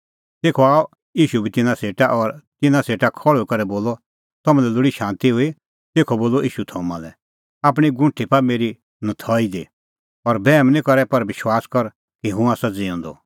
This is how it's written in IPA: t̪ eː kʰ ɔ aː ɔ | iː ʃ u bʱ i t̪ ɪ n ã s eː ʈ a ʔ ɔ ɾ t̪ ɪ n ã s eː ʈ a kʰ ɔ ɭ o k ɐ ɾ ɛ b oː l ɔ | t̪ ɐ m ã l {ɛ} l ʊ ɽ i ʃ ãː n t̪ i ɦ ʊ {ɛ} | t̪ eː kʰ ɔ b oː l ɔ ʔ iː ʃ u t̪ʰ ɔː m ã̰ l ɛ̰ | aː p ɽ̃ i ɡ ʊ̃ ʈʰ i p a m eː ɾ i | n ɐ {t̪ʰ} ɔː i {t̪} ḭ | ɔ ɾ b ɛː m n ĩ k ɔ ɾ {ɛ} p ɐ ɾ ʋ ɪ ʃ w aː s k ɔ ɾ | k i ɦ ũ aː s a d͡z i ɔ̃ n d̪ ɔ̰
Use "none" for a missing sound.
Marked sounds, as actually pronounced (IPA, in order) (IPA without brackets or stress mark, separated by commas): ɛ, i, t̪ʰ, d̪, ɛ